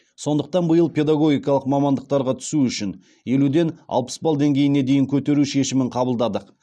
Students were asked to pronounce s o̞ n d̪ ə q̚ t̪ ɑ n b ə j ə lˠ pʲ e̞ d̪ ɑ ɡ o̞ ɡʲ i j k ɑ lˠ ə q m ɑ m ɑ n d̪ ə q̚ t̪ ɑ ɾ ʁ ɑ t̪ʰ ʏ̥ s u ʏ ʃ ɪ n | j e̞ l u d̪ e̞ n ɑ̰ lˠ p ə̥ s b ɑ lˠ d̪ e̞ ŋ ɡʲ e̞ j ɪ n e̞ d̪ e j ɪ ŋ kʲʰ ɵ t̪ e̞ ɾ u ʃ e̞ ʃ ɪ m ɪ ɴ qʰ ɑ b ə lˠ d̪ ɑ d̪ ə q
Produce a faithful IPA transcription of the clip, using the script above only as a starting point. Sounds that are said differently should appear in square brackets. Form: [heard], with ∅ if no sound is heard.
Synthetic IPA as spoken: s o̞ n d̪ ə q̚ t̪ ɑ n b ə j ə lˠ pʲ e̞ d̪ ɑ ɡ o̞ ɡʲ i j k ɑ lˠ ə q m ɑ m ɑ n d̪ ə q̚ t̪ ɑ ɾ ʁ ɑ t̪ʰ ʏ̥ s u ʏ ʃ ɪ n | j e̞ l u d̪ e̞ n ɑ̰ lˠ p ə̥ s b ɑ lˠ d̪ e̞ ŋ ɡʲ e̞ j ɪ n e̞ d̪ e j ɪ ŋ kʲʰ ɵ t̪ e̞ ɾ u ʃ e̞ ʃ ɪ m ɪ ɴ qʰ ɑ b ə lˠ d̪ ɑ d̪ ə q